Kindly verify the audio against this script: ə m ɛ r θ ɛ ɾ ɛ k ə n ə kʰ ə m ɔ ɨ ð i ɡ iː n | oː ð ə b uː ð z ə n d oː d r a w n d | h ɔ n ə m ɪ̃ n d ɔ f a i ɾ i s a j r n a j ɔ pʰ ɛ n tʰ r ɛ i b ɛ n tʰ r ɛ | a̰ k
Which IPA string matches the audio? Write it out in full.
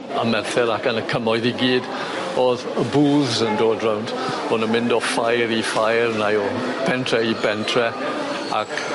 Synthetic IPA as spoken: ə m ɛ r θ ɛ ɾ a k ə n ə kʰ ə m ɔ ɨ ð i ɡ iː d | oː ð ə b uː ð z ə n d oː d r a w n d | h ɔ n ə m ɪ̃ n d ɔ f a j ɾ i f a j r n a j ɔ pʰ ɛ n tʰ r ɛ i b ɛ n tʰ r ɛ | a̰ k

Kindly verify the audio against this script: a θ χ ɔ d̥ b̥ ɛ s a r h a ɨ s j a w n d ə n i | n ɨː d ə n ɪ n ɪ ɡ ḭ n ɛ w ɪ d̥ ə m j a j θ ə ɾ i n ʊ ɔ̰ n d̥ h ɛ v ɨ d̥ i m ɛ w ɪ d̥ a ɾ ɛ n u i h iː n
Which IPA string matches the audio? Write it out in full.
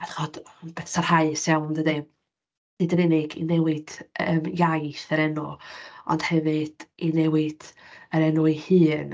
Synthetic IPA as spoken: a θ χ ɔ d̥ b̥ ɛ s a r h a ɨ s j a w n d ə d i | n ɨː d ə n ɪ n ɪ ɡ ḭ n ɛ w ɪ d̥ ə m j a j θ ə ɾ ɛ n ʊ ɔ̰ n d̥ h ɛ v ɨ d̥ i n ɛ w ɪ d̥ ə ɾ ɛ n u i h ɨː n

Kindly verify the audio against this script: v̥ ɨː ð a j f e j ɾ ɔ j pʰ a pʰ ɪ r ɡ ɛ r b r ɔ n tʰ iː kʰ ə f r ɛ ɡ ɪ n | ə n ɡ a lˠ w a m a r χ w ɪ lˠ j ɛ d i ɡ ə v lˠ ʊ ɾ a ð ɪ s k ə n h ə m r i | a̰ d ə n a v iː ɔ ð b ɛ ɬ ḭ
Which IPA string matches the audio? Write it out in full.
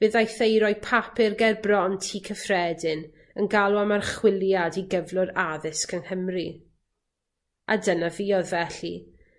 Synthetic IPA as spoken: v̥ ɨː ð a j θ e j ɾ ɔ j pʰ a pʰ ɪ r ɡ ɛ r b r ɔ n tʰ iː kʰ ə f r ɛ d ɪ n | ə n ɡ a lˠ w a m a r χ w ɪ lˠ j a d i ɡ ə v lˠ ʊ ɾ a ð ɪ s k ə n h ə m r i | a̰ d ə n a v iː ɔ ð v ɛ ɬ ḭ

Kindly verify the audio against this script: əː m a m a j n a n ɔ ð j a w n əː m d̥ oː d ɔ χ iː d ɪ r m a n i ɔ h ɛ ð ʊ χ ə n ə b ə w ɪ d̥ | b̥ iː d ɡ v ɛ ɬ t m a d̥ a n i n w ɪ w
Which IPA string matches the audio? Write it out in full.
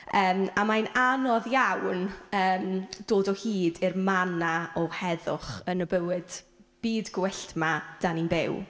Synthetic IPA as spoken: əː m a m a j n a n ɔ ð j a w n əː m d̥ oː d ɔ h iː d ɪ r m a n a ɔ h ɛ ð ʊ χ ə n ə b ə w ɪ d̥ | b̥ iː d ɡ w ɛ ɬ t m a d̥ a n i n b ɪ w

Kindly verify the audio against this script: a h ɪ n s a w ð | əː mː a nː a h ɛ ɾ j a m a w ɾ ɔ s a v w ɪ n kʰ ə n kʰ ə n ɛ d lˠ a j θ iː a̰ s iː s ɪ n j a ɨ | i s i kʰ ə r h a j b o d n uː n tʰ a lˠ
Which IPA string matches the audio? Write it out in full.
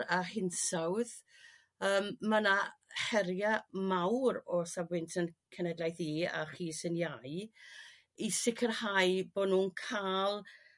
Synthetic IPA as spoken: a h ɪ n s a w ð | əː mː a n a h ɛ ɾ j a m a w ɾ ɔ s a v w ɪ n tʰ ə n kʰ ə n ɛ d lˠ a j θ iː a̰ χ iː s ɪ n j a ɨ | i s ɪ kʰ ə r h a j b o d n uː n kʰ a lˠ

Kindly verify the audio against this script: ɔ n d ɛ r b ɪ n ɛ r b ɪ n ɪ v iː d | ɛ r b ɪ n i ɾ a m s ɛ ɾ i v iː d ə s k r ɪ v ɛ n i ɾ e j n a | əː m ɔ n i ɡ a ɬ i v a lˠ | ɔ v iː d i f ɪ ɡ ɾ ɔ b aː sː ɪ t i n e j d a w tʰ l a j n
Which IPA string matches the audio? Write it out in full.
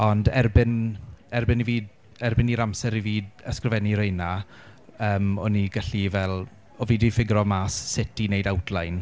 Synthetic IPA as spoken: ɔ n d ɛ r b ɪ n ɛ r b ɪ n i v iː d | ɛ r b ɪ n i ɾ a m s ɛ ɾ i v iː d ə s k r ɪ v ɛ n i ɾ e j n a | əː m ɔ n i ɡ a ɬ i v ɛ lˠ | ɔ v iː d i f ɪ ɡ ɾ ɔ m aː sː ɪ t i n e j d a w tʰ l a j n

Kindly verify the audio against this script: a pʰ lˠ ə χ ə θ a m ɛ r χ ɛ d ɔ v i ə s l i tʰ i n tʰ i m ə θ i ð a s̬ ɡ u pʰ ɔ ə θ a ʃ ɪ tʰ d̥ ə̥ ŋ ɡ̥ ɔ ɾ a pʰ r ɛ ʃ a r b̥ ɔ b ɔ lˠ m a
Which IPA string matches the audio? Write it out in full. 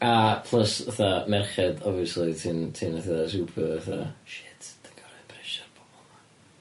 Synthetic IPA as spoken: a pʰ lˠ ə s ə θ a m ɛ r χ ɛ d ɔ v i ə s l i tʰ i n tʰ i n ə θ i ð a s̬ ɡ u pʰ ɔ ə θ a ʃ ɪ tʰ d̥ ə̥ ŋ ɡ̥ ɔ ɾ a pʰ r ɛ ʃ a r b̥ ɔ b ɔ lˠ m a

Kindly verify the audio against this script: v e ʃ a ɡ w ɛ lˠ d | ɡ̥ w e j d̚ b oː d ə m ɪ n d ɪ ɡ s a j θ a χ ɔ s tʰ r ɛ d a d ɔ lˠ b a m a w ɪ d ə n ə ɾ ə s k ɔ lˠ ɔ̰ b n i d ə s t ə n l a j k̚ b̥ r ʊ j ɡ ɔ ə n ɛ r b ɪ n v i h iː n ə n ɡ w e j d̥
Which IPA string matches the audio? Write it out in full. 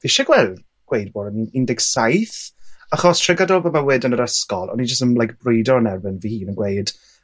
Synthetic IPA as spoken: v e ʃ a ɡ w ɛ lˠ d | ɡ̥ w e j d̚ b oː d ə n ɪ n d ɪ ɡ s a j θ a χ ɔ s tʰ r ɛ ɡ a d ɔ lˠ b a m a w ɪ d ə n ə ɾ ə s k ɔ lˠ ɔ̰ n i d͡ʒ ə s t ə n l a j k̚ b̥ r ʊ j d ɔ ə n ɛ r b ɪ n v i h iː n ə n ɡ w e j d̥

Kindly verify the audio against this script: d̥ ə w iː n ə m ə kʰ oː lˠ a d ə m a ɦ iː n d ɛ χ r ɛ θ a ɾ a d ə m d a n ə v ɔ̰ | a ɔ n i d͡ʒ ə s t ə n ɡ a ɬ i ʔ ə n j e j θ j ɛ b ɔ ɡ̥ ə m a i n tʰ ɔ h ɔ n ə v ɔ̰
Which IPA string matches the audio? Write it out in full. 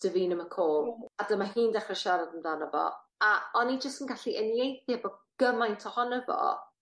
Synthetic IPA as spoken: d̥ ə v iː n ə m ə kʰ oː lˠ a d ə m a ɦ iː n d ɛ χ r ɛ ʃ a ɾ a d ə m d a n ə v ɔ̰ | a ɔ n i d͡ʒ ə s t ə n ɡ a ɬ i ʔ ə n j e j θ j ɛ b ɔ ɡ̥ ə m a j n tʰ ɔ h ɔ n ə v ɔ̰

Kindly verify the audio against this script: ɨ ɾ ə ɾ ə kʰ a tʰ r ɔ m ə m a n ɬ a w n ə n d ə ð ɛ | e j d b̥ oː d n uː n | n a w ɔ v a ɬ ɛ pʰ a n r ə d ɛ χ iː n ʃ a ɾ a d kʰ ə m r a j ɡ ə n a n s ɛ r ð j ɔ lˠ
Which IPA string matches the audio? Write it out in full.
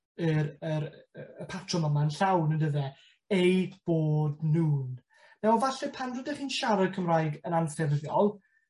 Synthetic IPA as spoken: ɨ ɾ ə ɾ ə pʰ a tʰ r ɔ m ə m a n ɬ a w n ə n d ə ð ɛ | e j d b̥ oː d n uː n | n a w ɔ v a ɬ ɛ pʰ a n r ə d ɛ χ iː n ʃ a ɾ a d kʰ ə m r a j ɡ ə n a n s ɛ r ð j ɔ lˠ

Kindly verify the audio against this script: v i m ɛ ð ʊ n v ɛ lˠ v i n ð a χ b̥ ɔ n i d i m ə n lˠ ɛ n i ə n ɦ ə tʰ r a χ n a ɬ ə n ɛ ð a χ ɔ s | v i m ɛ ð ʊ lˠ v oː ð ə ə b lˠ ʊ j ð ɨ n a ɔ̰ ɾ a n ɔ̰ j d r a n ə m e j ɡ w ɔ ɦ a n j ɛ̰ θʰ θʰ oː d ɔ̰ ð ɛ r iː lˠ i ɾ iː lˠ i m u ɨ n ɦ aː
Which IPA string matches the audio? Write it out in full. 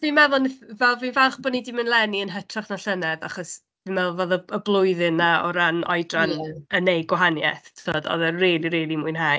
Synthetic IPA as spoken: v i m ɛ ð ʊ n v ɛ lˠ v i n v a χ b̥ ɔ n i d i m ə n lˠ ɛ n i ə n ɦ ə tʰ r a χ n a ɬ ə n ɛ ð a χ ɔ s | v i m ɛ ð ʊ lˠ v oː ð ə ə b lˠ ʊ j ð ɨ n a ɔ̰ ɾ a n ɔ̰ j d r a n ə n e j ɡ w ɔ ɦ a n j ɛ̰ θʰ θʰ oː d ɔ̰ ð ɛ r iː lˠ i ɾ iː lˠ i m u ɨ n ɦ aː

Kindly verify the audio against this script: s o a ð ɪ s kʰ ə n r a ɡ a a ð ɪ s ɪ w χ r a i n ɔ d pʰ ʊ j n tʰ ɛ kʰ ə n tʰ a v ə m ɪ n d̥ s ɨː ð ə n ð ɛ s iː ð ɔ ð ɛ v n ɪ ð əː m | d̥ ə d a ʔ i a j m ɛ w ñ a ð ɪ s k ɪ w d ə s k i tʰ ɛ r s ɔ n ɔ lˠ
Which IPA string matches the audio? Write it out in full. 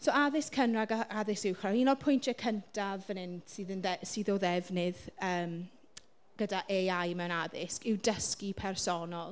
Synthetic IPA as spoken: s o a ð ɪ s kʰ ə n r a ɡ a a ð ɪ s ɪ w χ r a i n ɔ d pʰ ʊ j n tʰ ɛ kʰ ə n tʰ a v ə n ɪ n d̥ s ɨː ð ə n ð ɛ s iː ð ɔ ð ɛ v n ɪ ð əː m | ɡ̥ ə d a ʔ e a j m ɛ w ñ a ð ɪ s k ɪ w d ə s k i pʰ ɛ r s ɔ n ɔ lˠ

